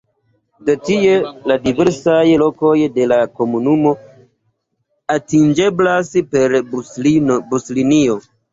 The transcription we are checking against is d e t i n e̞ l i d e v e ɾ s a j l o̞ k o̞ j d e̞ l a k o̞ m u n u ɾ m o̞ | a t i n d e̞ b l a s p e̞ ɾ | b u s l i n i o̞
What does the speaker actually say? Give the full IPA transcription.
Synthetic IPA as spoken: d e t i e̞ l a d i v e ɾ s a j l o̞ k o̞ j d e̞ l a k o̞ m u n u m o̞ | a t i n d͡ʒ e̞ b l a s p e̞ ɾ | b u s l i n i o̞